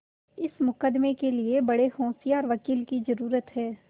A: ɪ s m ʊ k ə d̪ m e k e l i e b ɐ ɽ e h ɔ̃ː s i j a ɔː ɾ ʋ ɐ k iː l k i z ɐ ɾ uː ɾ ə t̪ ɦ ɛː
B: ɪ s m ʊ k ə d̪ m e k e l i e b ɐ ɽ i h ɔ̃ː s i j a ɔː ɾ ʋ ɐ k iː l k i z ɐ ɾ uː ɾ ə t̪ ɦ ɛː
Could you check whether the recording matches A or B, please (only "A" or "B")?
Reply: A